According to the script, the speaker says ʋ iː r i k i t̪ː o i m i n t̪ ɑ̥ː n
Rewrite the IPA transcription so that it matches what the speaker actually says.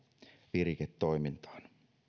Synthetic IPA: ʋ i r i k e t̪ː o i m i n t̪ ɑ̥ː n